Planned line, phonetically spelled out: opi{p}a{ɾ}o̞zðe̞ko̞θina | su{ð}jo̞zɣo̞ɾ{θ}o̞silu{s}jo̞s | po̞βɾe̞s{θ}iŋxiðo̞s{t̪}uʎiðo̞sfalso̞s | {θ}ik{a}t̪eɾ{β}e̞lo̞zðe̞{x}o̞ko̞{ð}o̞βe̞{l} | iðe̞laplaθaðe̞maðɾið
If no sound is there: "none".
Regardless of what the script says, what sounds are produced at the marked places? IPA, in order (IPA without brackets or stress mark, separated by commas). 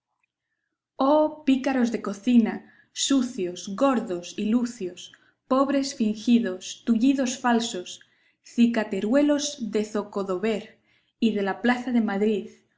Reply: k, ɾ, θ, ð, θ, f, t̪, θ, a, w, θ, ð, ɾ